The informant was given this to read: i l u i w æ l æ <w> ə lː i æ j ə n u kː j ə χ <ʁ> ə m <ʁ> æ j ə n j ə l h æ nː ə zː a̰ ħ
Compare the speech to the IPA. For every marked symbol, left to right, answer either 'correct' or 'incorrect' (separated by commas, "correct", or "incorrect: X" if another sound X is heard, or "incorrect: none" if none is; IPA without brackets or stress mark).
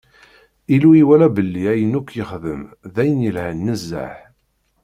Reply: incorrect: b, incorrect: ð, incorrect: ð